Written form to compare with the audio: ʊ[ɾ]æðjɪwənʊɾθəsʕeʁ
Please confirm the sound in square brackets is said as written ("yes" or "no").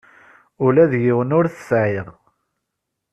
no